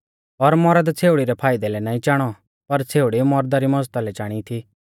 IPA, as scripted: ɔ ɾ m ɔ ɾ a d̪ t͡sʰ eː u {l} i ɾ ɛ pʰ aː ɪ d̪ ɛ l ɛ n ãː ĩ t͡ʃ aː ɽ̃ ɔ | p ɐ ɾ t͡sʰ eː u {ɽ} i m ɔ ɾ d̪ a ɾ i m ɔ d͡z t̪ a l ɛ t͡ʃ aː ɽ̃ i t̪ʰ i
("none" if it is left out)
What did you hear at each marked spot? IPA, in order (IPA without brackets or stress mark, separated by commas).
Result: ɽ, ɽ